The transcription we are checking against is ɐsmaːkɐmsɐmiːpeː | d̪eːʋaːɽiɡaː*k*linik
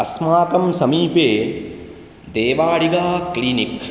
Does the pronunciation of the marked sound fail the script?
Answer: no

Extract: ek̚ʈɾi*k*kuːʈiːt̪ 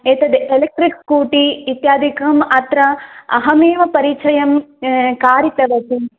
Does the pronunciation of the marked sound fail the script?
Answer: no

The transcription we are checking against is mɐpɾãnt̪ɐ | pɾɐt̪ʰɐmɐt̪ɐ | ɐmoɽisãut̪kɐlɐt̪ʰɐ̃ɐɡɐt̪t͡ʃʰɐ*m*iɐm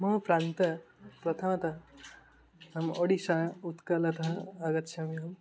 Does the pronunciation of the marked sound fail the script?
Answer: no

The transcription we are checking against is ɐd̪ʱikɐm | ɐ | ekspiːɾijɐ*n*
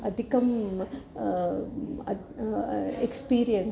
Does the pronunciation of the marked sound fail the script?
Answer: no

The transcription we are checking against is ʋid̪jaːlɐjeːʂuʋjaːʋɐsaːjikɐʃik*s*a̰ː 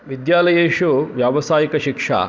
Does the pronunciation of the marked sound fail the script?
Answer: yes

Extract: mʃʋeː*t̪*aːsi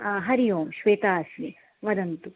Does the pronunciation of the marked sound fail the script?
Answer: no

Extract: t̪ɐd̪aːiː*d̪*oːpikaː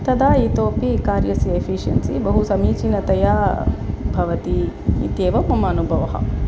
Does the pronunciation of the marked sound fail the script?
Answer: yes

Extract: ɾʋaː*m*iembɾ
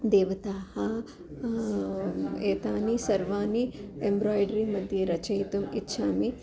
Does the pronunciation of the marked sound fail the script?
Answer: yes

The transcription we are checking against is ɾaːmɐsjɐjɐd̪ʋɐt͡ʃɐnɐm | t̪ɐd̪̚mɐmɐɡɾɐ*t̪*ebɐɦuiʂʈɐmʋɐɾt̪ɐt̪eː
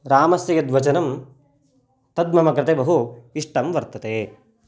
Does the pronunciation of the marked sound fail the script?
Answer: no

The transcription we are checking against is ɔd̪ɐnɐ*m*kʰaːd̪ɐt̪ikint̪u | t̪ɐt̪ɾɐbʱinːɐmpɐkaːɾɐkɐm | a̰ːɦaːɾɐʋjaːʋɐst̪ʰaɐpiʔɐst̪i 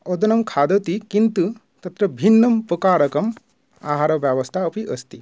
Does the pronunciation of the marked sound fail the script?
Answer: no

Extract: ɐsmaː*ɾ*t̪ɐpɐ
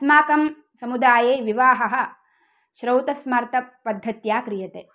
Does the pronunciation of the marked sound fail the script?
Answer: no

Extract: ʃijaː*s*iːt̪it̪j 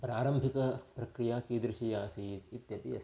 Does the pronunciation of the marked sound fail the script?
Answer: no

